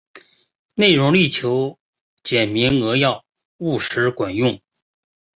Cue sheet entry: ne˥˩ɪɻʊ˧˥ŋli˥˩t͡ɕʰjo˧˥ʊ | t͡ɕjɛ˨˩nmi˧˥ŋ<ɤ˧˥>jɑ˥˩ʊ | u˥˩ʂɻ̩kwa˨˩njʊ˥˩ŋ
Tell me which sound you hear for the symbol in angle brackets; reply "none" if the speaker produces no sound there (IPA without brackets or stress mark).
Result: ɤ˧˥